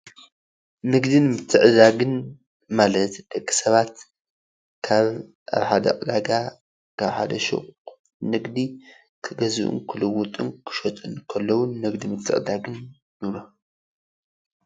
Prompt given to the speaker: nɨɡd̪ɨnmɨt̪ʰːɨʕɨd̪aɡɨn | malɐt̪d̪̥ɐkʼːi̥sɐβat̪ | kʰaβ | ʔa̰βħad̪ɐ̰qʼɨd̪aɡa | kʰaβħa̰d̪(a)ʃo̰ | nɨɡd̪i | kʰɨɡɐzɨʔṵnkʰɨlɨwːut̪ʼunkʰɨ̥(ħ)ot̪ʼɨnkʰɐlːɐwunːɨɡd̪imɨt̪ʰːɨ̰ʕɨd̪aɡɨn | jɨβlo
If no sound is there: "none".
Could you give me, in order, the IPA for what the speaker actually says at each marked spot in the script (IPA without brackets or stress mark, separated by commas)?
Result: ɐ, ʃ